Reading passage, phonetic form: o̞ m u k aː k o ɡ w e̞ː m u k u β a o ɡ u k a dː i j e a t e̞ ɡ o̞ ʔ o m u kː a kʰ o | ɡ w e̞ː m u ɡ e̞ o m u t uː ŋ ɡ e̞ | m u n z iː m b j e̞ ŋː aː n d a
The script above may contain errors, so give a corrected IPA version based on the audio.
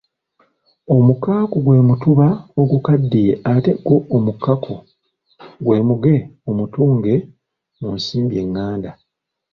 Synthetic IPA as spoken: o̞ m u k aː k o ɡ w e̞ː m u t u β a o ɡ u k a dː i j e a t e̞ ɡ o̞ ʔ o m u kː a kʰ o | ɡ w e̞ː m u ɡ e̞ o m u t uː ŋ ɡ e̞ | m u n s iː m b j e̞ ŋː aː n d a